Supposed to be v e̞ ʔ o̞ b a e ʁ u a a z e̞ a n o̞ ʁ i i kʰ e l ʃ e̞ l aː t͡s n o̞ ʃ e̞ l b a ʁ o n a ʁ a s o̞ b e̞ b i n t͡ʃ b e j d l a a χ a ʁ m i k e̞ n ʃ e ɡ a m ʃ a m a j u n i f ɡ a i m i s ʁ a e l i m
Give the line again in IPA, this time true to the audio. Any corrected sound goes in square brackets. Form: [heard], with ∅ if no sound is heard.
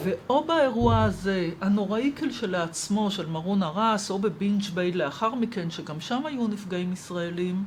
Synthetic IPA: v e̞ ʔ o̞ b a e ʁ u a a z e̞ a n o̞ ʁ [a] i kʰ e l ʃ e̞ l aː t͡s [m] o̞ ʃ e̞ l [m] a ʁ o n a ʁ a s o̞ b e̞ b i n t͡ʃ b e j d l [e] a χ a ʁ m i k e̞ n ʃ e ɡ a m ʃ a m a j u n i f ɡ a i m i s ʁ a e l i m